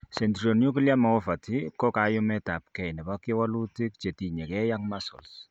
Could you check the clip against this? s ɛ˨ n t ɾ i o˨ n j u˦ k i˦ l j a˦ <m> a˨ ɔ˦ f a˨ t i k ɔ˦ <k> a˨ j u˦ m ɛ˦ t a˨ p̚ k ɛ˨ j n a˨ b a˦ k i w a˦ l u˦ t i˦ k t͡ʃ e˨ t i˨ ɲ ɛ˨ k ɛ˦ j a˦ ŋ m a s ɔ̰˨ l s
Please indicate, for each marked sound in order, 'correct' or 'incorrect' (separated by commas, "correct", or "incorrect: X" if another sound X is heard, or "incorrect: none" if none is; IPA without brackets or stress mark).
correct, correct